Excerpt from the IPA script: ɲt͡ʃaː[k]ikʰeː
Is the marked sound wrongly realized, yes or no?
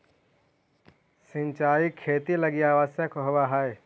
yes